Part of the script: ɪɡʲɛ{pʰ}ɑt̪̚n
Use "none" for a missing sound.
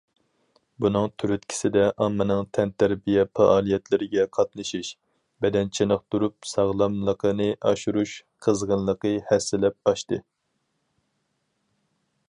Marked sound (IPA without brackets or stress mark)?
qʰ